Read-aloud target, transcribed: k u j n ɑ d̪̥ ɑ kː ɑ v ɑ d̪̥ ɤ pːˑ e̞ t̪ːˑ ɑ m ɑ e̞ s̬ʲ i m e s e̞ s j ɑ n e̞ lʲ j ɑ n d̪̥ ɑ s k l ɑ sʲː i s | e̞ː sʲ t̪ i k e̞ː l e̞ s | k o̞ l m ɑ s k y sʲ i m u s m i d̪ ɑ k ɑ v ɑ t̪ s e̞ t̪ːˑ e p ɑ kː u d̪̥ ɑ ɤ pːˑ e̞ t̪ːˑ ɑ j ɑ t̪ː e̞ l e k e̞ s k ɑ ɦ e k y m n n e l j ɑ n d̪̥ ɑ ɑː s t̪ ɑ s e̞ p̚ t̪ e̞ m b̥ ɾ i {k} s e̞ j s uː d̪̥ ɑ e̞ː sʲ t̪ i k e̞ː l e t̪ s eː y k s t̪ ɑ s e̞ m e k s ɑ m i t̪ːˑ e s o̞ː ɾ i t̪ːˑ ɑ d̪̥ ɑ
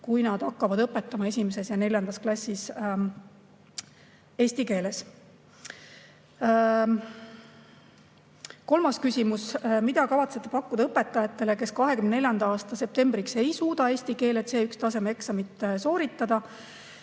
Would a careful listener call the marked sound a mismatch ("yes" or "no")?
no